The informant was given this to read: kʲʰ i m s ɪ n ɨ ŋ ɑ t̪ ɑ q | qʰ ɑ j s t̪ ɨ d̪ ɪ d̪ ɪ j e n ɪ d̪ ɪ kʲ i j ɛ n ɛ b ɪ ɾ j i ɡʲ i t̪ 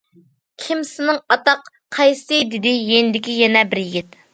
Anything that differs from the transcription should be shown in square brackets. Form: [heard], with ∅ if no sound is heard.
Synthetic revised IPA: kʲʰ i m s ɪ n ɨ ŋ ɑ t̪ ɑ q | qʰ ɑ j s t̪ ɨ d̪ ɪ d̪ ɪ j e n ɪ d̪ ɪ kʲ i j ɛ n ɛ b ɪ ɾ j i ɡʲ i t̪